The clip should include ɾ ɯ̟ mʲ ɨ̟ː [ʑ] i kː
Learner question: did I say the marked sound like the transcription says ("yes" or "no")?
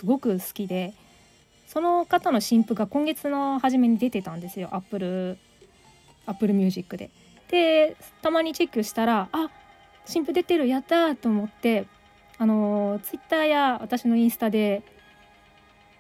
yes